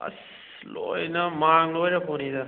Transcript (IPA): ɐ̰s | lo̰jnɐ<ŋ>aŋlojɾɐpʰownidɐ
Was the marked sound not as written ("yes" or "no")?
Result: yes